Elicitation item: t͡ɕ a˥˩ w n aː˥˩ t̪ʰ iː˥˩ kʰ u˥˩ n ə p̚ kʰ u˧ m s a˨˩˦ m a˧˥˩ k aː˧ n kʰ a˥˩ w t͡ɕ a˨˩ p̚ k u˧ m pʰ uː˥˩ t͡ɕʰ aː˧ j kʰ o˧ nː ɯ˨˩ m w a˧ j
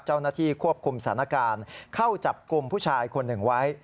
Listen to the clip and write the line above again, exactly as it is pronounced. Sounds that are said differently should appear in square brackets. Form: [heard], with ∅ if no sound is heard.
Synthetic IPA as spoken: t͡ɕ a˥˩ w n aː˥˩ t̪ʰ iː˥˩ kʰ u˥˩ [∅] ə p̚ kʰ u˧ m s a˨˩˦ [n] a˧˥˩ k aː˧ n kʰ a˥˩ w t͡ɕ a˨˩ p̚ k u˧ m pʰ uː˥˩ t͡ɕʰ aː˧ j kʰ o˧ nː ɯ˨˩ [ŋ] w [a˦˥] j